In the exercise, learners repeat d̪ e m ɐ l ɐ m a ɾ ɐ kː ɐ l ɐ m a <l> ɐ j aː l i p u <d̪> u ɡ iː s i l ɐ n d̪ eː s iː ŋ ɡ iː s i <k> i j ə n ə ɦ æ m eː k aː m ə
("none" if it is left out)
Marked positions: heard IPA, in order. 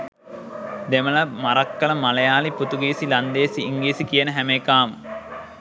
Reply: l, t̪, k

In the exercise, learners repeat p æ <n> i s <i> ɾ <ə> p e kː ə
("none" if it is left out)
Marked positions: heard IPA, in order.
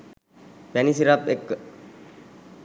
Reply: n, i, a

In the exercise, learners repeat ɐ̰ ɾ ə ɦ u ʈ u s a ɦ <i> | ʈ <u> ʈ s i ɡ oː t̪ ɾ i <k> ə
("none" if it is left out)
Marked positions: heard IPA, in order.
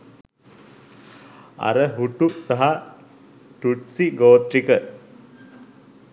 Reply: a, u, k

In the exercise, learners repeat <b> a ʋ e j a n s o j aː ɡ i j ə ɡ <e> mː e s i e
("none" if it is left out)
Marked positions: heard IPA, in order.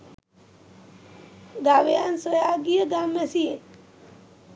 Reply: ɡ, a

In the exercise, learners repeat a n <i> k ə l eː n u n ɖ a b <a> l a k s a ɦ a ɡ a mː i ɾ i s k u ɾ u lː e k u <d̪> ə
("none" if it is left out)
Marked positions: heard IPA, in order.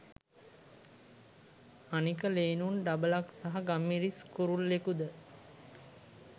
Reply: i, ə, d̪

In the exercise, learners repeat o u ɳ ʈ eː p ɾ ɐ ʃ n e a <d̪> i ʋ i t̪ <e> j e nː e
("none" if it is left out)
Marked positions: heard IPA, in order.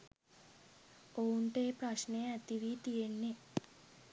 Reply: t̪, i

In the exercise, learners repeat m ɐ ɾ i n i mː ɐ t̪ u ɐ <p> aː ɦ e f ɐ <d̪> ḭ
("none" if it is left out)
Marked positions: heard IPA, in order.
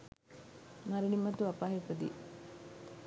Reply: p, d̪

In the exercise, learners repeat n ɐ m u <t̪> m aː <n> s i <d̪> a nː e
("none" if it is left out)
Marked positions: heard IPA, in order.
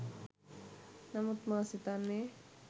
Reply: t̪, none, t̪

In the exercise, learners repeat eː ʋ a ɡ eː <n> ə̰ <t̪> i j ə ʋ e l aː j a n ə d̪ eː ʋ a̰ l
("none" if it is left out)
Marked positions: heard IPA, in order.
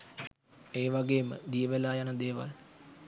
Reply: m, d̪

